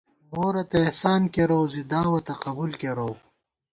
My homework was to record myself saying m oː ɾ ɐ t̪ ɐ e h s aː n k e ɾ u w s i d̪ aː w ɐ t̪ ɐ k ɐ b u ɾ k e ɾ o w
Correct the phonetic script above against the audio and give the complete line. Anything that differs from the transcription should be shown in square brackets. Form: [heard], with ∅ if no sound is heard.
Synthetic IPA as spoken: m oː ɾ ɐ t̪ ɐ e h s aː n k e ɾ [o] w [z] i d̪ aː w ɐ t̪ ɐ [q] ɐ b u [l] k e ɾ o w